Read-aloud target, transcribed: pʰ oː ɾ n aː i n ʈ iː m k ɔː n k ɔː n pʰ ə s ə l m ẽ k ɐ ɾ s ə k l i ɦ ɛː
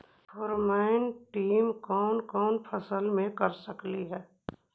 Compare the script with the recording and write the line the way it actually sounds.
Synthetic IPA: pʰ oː ɾ m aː ɪ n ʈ iː m k ɔː n k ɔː n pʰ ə s ə l m ẽ k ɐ ɾ s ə k l i ɦ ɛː